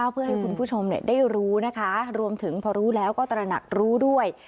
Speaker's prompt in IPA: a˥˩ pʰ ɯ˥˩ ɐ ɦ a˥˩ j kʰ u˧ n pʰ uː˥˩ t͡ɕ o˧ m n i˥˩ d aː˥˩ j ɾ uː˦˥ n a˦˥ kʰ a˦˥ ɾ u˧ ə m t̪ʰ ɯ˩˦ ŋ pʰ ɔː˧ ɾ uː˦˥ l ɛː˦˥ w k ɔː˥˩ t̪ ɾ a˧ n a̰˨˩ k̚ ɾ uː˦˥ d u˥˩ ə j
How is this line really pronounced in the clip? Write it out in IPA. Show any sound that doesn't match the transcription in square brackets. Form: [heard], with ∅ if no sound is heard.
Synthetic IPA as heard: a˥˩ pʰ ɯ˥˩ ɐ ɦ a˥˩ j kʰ u˧ n pʰ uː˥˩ [t͡ɕʰ] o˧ m n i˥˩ d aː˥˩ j ɾ uː˦˥ n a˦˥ kʰ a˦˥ ɾ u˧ ə m t̪ʰ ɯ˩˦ ŋ pʰ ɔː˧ ɾ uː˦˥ l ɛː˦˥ w k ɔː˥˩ t̪ ɾ a˧ n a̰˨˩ k̚ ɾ uː˦˥ d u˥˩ ə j